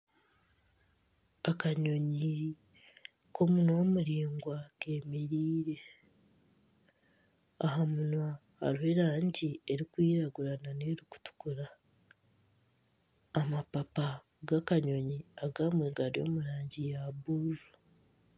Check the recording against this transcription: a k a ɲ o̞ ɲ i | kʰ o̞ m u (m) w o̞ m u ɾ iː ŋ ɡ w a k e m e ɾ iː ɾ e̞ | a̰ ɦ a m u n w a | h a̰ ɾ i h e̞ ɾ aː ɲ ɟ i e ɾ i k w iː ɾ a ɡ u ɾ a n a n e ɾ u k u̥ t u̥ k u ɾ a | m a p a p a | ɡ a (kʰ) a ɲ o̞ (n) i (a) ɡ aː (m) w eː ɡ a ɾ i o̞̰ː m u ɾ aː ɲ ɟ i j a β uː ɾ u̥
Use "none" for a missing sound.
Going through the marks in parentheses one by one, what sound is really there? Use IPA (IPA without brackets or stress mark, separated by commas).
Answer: n, k, ɲ, a, m